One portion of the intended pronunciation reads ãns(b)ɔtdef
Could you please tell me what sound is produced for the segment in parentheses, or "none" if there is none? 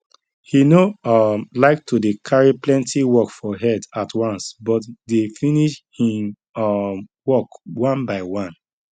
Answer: b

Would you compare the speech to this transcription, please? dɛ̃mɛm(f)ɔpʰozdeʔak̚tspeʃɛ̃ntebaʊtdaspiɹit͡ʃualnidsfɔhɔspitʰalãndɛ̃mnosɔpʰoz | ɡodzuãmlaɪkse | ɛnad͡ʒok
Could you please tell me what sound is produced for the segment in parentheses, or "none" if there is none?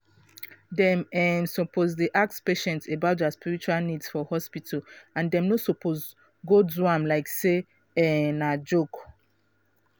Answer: s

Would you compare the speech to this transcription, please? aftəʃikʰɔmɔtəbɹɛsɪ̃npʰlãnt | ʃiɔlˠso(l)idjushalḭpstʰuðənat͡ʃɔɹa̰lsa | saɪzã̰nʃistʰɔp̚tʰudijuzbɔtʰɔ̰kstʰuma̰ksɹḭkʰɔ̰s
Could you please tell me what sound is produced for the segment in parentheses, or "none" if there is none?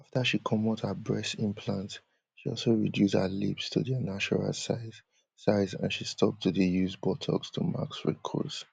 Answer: ɹ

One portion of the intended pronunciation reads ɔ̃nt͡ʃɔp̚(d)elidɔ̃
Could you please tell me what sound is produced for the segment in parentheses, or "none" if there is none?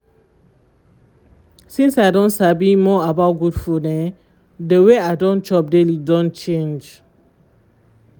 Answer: d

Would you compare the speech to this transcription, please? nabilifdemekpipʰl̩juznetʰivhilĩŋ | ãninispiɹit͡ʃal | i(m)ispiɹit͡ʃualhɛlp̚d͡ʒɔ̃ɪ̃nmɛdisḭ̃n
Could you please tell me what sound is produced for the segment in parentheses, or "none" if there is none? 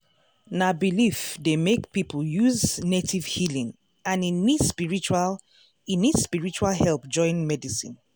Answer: n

